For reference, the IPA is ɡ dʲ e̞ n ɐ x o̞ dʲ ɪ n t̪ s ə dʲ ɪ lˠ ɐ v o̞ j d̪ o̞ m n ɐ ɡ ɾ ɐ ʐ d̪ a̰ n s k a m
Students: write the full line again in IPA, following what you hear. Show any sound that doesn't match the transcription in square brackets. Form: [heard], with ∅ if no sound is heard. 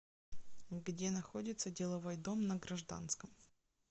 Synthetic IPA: ɡ dʲ e̞ n ɐ x o̞ dʲ ɪ [∅] t̪ s ə dʲ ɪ lˠ ɐ v o̞ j d̪ o̞ m n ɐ ɡ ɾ ɐ ʐ d̪ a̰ n s k [ə] m